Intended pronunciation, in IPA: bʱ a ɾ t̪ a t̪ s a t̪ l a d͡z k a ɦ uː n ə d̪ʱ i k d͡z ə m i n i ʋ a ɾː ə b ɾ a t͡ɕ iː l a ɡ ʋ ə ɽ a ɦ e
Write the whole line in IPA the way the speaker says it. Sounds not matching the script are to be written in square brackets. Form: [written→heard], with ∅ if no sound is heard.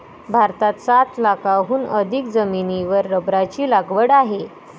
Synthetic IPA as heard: bʱ a ɾ t̪ a t̪ s a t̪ l a [d͡z→∅] k a ɦ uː n ə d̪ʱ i k d͡z ə m i n i ʋ [a→ə] ɾː ə b ɾ a t͡ɕ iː l a ɡ ʋ ə ɽ a ɦ e